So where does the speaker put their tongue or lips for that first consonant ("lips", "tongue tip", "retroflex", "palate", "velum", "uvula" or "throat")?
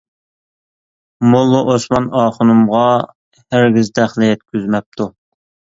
lips